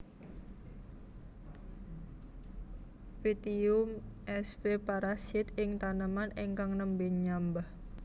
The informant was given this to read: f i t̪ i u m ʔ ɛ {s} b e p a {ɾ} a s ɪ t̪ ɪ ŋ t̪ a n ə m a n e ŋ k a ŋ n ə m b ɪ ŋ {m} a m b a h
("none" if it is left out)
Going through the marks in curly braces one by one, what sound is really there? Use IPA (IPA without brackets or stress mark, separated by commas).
s, ɾ, ɲ